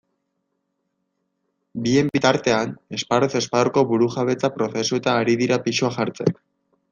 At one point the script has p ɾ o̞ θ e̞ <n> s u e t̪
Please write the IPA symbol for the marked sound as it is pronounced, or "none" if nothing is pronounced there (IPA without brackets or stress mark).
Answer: none